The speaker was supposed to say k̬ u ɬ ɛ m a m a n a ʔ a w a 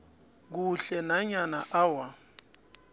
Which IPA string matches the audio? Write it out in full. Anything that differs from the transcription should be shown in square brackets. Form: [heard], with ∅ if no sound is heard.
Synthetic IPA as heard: k̬ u ɬ ɛ [n] a [ɲ] a n a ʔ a w a